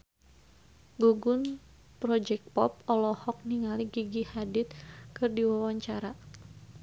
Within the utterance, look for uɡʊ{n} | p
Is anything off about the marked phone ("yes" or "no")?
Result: no